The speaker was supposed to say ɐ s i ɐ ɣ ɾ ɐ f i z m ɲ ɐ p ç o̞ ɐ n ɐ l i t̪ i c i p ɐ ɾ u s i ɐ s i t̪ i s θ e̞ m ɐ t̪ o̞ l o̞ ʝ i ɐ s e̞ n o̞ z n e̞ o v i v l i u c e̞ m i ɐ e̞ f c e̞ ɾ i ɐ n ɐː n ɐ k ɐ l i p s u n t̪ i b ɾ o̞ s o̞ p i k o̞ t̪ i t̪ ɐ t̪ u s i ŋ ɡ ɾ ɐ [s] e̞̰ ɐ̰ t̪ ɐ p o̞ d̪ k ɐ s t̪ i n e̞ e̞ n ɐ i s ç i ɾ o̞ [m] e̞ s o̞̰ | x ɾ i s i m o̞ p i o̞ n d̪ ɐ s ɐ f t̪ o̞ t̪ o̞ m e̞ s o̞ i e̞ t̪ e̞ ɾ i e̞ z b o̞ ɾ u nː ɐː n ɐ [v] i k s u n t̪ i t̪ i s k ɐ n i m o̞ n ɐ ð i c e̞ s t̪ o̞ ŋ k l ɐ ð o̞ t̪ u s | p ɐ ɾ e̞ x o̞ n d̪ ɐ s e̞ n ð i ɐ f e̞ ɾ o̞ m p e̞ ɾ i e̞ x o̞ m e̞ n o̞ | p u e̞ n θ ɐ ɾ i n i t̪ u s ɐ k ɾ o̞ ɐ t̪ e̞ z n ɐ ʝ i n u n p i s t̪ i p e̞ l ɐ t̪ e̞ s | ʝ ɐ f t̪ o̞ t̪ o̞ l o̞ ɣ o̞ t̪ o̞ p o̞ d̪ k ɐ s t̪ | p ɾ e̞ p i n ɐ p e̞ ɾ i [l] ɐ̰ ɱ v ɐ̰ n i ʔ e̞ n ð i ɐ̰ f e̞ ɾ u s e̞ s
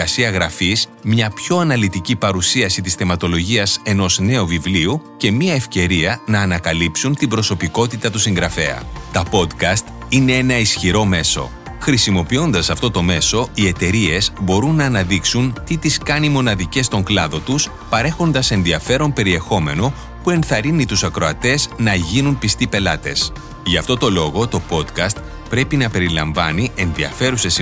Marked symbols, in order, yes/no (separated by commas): no, yes, no, yes